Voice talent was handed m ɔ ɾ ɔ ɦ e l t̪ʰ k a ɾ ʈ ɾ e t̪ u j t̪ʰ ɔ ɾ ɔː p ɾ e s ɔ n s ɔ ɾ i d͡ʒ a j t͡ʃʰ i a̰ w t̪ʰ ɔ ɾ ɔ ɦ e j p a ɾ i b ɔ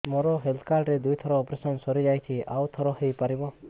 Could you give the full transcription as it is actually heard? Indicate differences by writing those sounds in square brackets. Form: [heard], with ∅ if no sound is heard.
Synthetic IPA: m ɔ ɾ ɔ ɦ e l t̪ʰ k a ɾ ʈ ɾ e [d̪] u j t̪ʰ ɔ ɾ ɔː p ɾ e s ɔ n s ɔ ɾ i d͡ʒ a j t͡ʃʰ i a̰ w t̪ʰ ɔ ɾ ɔ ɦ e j p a ɾ i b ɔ